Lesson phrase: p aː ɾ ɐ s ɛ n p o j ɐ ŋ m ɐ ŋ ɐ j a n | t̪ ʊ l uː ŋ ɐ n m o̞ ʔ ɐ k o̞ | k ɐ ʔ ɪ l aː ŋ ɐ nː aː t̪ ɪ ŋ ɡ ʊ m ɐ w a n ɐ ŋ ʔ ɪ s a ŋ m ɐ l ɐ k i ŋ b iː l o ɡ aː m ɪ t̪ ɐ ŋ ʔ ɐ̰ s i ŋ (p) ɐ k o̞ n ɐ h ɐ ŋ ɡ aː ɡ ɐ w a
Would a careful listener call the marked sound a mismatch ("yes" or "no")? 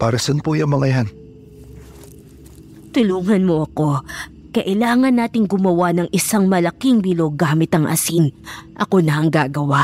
yes